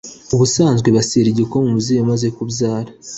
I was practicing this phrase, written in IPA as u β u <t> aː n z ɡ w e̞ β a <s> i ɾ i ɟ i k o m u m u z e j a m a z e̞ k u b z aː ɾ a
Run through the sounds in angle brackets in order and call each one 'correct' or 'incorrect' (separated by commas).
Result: incorrect, correct